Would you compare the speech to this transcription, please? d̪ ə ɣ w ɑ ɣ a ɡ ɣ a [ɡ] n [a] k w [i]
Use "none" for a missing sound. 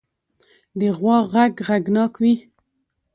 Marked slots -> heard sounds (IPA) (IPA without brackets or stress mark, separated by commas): ɡ, ɑ, i